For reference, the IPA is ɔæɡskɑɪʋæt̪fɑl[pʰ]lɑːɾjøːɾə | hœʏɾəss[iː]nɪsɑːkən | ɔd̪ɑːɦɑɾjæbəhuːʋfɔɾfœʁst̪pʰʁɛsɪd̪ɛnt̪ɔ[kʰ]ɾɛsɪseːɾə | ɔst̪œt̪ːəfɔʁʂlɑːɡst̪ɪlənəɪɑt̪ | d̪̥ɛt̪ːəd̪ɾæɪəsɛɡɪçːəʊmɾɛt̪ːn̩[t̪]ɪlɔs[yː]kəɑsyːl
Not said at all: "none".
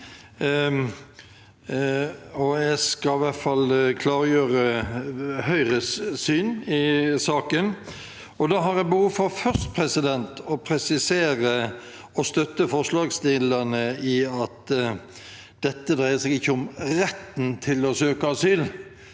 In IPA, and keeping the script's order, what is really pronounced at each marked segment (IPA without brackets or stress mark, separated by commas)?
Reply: kʰ, yː, pʰ, t̪ʰ, øː